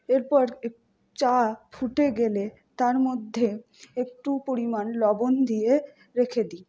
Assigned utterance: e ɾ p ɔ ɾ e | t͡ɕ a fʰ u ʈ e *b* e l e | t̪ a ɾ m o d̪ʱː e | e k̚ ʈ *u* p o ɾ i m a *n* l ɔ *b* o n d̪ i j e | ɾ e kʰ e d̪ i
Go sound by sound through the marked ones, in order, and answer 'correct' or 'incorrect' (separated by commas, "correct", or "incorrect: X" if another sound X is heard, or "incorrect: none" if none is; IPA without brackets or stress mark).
incorrect: ɡ, correct, correct, correct